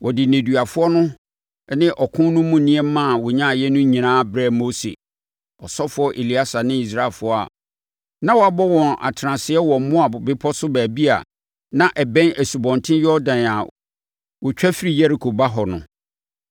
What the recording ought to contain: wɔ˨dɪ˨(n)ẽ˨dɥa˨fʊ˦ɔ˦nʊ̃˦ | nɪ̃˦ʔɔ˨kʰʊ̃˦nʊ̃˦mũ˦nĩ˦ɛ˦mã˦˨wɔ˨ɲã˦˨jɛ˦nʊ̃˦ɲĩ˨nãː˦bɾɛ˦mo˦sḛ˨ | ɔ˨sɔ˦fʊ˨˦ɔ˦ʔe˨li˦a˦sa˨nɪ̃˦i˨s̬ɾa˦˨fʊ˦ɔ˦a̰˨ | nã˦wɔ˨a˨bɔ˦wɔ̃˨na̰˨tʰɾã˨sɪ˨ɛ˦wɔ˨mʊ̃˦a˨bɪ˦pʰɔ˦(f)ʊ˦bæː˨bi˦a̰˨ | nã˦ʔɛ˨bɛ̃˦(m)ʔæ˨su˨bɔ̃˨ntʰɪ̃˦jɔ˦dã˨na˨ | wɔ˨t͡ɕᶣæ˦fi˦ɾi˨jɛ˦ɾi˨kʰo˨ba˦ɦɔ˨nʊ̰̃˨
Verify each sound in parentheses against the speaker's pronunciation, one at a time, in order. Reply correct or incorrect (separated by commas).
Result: correct, incorrect, incorrect